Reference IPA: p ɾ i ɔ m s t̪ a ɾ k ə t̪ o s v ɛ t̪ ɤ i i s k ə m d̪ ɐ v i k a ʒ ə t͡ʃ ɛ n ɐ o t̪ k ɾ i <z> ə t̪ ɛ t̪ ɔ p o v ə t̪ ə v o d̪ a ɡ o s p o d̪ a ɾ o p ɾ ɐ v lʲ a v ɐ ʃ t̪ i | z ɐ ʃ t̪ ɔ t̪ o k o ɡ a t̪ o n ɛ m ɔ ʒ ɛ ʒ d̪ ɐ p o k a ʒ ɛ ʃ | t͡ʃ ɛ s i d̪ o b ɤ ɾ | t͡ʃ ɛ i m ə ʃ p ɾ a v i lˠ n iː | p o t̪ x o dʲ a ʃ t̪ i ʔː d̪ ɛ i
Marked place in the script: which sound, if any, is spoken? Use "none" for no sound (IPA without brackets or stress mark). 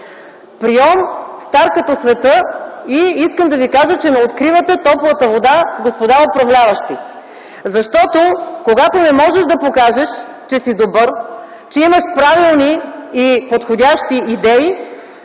v